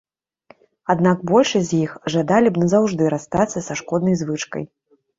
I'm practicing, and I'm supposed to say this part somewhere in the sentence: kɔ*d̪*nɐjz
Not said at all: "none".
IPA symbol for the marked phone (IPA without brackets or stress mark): d̪